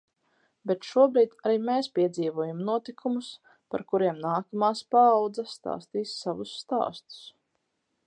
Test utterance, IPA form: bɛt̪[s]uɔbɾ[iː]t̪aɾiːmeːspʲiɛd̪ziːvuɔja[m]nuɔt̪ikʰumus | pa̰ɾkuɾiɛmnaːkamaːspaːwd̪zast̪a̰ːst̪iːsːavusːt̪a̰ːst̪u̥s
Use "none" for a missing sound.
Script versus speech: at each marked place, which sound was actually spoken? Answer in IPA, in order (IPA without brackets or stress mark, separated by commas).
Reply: ʃ, iː, m